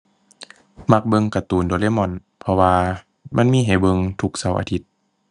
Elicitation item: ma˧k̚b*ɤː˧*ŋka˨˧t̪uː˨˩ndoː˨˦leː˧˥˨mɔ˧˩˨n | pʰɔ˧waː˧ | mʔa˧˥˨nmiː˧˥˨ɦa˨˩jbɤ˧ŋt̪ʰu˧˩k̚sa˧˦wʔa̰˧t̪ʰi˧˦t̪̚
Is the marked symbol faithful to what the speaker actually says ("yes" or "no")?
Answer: no